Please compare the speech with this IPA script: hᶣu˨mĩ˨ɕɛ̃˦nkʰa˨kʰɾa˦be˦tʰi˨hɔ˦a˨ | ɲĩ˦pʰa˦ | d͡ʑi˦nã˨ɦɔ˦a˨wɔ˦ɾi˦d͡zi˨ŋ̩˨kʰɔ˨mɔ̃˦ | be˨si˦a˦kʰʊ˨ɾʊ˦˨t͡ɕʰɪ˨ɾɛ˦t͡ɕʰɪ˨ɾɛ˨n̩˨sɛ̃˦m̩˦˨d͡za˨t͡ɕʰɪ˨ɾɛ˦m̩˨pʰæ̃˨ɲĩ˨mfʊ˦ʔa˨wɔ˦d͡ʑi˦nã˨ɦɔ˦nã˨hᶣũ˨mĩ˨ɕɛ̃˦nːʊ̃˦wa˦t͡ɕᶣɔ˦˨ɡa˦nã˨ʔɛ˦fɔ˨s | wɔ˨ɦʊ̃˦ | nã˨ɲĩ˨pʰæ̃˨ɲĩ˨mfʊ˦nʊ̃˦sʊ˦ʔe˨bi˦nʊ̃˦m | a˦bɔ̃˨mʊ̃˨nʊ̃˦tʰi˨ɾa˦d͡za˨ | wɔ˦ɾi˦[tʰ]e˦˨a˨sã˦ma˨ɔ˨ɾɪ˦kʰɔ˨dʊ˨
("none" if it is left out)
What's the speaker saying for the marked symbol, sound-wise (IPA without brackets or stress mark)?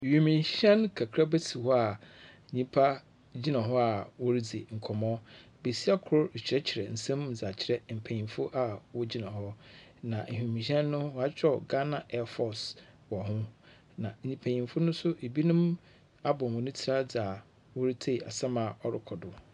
tʰ